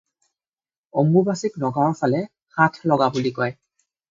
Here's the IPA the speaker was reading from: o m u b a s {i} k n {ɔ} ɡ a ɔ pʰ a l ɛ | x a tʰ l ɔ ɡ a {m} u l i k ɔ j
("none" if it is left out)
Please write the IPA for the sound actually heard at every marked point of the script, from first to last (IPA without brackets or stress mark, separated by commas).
i, ɔ, b